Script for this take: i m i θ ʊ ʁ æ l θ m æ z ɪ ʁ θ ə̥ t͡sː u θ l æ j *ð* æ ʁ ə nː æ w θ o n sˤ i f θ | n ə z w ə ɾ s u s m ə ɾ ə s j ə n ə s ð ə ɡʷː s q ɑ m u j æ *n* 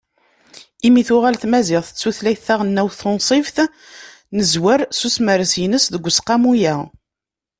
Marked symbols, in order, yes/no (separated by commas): no, no